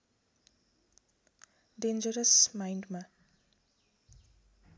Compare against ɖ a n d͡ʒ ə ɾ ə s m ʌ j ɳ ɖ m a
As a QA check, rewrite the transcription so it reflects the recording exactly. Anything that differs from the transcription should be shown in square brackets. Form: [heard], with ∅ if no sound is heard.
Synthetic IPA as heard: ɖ [e] n d͡ʒ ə ɾ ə s m [a] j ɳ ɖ m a

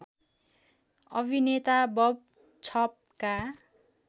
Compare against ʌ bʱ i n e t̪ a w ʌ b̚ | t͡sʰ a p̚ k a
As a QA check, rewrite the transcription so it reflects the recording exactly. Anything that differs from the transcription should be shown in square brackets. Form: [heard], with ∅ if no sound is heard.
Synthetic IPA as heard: ʌ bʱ i n e t̪ a [b] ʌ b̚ | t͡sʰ [ʌ] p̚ k a

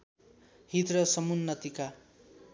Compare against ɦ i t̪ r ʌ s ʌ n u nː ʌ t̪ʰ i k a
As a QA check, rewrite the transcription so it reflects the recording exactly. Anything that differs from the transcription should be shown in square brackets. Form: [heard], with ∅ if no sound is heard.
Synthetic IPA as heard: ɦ i t̪ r ʌ s ʌ [m] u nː ʌ [t̪] i k a

